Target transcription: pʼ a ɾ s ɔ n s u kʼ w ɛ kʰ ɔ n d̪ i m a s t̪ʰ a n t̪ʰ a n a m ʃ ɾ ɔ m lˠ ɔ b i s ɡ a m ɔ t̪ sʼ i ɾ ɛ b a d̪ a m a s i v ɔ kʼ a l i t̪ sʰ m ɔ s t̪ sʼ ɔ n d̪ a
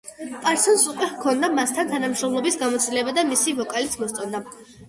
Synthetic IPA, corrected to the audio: pʼ a ɾ s ɔ n s u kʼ w ɛ kʰ ɔ n d̪ a m a s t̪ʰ a n t̪ʰ a n a m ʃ ɾ ɔ m lˠ ɔ b i s ɡ a m ɔ t̪ sʼ i l ɛ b a d̪ a m i s i v ɔ kʼ a l i t̪ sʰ m ɔ s t̪ sʼ ɔ n d̪ a